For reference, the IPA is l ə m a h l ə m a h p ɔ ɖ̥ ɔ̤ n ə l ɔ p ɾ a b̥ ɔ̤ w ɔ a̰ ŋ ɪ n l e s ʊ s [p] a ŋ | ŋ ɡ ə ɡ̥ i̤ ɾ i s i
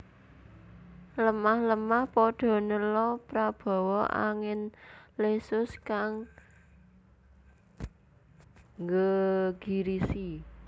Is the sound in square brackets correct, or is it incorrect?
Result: incorrect